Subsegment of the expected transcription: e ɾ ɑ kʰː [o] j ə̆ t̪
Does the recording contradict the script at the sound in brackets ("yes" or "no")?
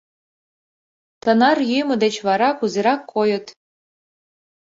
no